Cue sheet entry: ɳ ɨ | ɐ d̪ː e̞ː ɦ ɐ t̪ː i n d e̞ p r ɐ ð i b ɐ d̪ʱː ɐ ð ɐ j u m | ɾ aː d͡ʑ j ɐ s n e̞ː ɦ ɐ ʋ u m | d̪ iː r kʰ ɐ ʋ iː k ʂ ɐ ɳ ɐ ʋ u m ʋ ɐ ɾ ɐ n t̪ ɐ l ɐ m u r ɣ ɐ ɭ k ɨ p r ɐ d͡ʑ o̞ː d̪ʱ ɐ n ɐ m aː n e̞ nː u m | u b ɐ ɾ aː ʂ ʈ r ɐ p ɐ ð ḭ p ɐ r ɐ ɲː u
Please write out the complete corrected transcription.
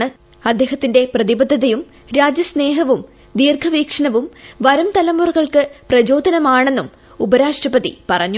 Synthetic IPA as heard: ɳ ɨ | ɐ d̪ː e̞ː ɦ ɐ t̪ː i n d e̞ p r ɐ ð i b ɐ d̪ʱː ɐ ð ɐ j u m | ɾ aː d͡ʑ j ɐ s n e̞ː ɦ ɐ ʋ u m | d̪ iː r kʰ ɐ ʋ iː k ʂ ɐ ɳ ɐ ʋ u m ʋ ɐ ɾ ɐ m t̪ ɐ l ɐ m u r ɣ ɐ ɭ k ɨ p r ɐ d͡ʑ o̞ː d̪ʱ ɐ n ɐ m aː ɳ e̞ nː u m | u b ɐ ɾ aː ʂ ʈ r ɐ p ɐ ð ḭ p ɐ r ɐ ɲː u

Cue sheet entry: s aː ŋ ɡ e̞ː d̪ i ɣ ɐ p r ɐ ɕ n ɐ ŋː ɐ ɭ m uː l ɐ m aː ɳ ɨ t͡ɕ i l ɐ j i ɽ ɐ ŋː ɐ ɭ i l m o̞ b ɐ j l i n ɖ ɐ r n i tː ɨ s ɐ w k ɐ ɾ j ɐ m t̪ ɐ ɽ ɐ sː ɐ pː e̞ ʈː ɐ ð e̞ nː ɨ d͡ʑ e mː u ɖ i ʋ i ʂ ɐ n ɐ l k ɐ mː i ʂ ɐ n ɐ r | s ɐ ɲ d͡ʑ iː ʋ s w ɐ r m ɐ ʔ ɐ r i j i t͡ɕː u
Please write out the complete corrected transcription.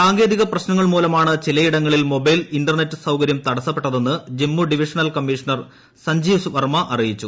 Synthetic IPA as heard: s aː ŋ ɡ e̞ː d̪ i ɣ ɐ p r ɐ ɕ n ɐ ŋː ɐ ɭ m uː l ɐ m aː ɳ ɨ t͡ɕ i l ɐ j i ɽ ɐ ŋː ɐ ɭ i l m o̞ b ɐ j l i n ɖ ɐ r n e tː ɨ s ɐ w k ɐ ɾ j ɐ m t̪ ɐ ɽ ɐ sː ɐ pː e̞ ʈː ɐ ð e̞ nː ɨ d͡ʑ e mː u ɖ i ʋ i ʂ ɐ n ɐ l k ɐ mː i ʂ ɐ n ɐ r | s ɐ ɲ d͡ʑ iː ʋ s ʋ ɐ r m ɐ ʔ ɐ r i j i t͡ɕː u

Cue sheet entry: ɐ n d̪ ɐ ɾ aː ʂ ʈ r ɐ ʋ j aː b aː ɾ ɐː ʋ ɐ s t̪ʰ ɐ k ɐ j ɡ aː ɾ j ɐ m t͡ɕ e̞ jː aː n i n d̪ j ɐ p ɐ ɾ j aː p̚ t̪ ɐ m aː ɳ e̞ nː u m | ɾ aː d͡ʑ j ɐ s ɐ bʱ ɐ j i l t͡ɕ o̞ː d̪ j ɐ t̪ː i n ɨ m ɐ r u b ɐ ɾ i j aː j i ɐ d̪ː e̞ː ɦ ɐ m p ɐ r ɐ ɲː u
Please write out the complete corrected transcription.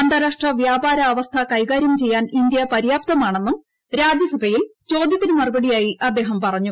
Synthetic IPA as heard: ɐ n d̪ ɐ ɾ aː ʂ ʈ r ɐ ʋ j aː b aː ɾ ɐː ʋ ɐ s t̪ʰ ɐ k ɐ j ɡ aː ɾ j ɐ m t͡ɕ e̞ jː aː n i n d̪ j ɐ p ɐ ɾ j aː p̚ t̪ ɐ m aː ɳ e̞ nː u m | ɾ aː d͡ʑ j ɐ s ɐ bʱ ɐ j i l t͡ɕ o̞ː d̪ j ɐ t̪ː i n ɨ m ɐ r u b ɐ ɽ i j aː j i ɐ d̪ː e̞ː ɦ ɐ m p ɐ r ɐ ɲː u

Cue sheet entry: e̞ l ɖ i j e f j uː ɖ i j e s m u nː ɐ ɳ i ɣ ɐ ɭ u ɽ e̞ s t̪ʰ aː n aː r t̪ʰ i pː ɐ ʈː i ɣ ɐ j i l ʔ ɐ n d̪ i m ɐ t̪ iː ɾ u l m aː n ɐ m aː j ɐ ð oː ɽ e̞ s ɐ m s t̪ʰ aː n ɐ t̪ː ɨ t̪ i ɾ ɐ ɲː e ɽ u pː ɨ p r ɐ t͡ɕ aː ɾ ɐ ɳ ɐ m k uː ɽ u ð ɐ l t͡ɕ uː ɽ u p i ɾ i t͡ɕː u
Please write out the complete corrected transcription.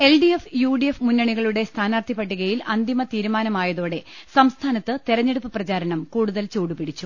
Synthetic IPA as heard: e̞ l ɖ i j e f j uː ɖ i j e f m u nː ɐ ɳ i ɣ ɐ ɭ u ɽ e̞ s t̪ʰ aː n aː r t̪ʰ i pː ɐ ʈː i ɣ ɐ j i l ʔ ɐ n d̪ i m ɐ t̪ iː ɾ u m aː n ɐ m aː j ɐ ð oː ɽ e̞ s ɐ m s t̪ʰ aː n ɐ t̪ː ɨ t̪ i ɾ ɐ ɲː e ɽ u pː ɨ p r ɐ t͡ɕ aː ɾ ɐ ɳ ɐ m k uː ɽ u ð ɐ l t͡ɕ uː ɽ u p i ɽ i t͡ɕː u

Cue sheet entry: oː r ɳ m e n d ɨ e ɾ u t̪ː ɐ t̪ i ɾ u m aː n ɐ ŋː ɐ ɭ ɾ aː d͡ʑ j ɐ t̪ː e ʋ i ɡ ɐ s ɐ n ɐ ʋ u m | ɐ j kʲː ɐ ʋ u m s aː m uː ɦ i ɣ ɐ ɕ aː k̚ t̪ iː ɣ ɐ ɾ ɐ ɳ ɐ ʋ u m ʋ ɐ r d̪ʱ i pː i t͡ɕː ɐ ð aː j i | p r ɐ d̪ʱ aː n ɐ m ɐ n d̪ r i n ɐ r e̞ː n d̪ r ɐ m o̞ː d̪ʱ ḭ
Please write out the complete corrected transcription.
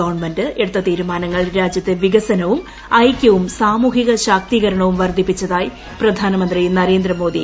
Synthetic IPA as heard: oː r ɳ m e n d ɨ e ɽ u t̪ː ɐ t̪ iː ɾ u m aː n ɐ ŋː ɐ ɭ ɾ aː d͡ʑ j ɐ t̪ː e ʋ i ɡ ɐ s ɐ n ɐ ʋ u m | ɐ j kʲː ɐ ʋ u m s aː m uː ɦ i ɣ ɐ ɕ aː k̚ t̪ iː ɣ ɐ ɾ ɐ ɳ ɐ ʋ u m ʋ ɐ r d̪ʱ i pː i t͡ɕː ɐ ð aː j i | p r ɐ d̪ʱ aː n ɐ m ɐ n d̪ r i n ɐ ɾ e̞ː n d̪ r ɐ m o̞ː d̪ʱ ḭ

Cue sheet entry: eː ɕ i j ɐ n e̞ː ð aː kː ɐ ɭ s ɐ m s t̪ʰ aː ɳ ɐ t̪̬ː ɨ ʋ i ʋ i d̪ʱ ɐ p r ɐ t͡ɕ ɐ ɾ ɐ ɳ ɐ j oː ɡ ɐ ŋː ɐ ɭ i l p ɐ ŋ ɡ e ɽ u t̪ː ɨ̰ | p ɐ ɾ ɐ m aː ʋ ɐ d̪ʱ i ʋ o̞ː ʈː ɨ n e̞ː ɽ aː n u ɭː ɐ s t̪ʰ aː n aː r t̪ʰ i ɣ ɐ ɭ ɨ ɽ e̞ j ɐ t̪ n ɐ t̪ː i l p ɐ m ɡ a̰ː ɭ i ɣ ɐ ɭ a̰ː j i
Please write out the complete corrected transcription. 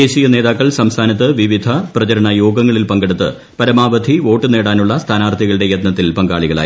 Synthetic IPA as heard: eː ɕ i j ɐ n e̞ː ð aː kː ɐ ɭ s ɐ m s t̪ʰ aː n ɐ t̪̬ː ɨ ʋ i ʋ i d̪ʱ ɐ p r ɐ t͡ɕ ɐ ɾ ɐ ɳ ɐ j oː ɡ ɐ ŋː ɐ ɭ i l p ɐ ŋ ɡ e ɽ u t̪ː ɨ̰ | p ɐ ɾ ɐ m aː ʋ ɐ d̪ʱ i ʋ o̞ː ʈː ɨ n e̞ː ɽ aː n u ɭː ɐ s t̪ʰ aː n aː r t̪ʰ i ɣ ɐ ɭ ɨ ɽ e̞ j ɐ t̪ n ɐ t̪ː i l p ɐ ŋ ɡ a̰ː ɭ i ɣ ɐ ɭ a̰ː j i

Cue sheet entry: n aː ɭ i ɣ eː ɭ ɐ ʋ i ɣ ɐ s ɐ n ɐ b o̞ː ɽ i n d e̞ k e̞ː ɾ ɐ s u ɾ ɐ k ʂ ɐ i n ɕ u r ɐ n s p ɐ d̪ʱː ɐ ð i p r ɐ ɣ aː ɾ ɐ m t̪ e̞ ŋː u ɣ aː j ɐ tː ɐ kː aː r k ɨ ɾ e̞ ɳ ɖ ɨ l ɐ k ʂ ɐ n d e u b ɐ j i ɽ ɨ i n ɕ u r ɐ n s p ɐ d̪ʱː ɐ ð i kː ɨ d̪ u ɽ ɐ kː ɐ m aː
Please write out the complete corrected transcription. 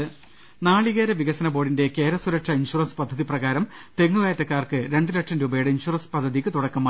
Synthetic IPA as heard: n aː ɭ i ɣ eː ɾ ɐ ʋ i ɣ ɐ s ɐ n ɐ b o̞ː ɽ i n d e̞ k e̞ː ɾ ɐ s u ɾ ɐ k ʂ ɐ i n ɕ u r ɐ n s p ɐ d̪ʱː ɐ ð i p r ɐ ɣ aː ɾ ɐ m t̪ e̞ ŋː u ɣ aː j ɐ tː ɐ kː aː r k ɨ ɾ e̞ ɳ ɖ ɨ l ɐ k ʂ ɐ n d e u b ɐ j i ɽ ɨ i n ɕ u r ɐ n s p ɐ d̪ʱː ɐ ð i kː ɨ t̪ u ɽ ɐ kː ɐ m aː

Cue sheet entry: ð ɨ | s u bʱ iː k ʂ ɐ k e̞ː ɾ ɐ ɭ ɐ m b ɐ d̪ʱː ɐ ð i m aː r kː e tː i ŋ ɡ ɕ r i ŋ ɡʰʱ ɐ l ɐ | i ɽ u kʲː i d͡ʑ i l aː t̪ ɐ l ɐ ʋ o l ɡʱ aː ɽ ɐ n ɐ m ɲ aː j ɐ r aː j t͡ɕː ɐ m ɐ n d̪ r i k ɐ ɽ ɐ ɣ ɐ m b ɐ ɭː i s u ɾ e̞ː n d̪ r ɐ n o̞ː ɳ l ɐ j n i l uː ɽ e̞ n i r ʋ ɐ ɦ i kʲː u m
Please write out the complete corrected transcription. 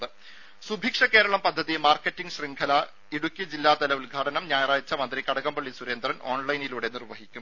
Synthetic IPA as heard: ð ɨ | s u bʱ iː k ʂ ɐ k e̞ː ɾ ɐ ɭ ɐ m p ɐ d̪ʱː ɐ ð i m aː r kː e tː i ŋ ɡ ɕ r i ŋ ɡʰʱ ɐ l ɐ | i ɽ u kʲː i d͡ʑ i lː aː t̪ ɐ l ɐ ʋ u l ɡʱ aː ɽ ɐ n ɐ m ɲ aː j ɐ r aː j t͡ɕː ɐ m ɐ n d̪ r i k ɐ ɽ ɐ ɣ ɐ m b ɐ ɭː i s u ɾ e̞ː n d̪ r ɐ n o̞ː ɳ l ɐ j n i l uː ɽ e̞ n i r ʋ ɐ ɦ i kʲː u m

